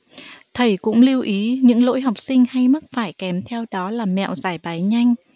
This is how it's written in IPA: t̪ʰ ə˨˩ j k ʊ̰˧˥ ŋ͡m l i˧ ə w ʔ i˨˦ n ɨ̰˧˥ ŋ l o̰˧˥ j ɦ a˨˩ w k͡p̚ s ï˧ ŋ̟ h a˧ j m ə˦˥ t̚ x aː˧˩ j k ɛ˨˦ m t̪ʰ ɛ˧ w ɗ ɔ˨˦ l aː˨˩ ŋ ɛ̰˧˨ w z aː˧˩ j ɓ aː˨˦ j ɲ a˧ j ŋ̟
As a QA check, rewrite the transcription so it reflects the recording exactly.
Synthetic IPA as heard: t̪ʰ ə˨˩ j k ʊ̰˧˥ ŋ͡m l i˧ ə w ʔ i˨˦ ɲ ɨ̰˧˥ ŋ l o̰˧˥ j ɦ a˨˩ w k͡p̚ s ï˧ ŋ̟ h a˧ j m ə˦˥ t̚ f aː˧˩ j k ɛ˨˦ m t̪ʰ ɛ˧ w ɗ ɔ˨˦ l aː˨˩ m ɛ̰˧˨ w z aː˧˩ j ɓ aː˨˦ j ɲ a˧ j ŋ̟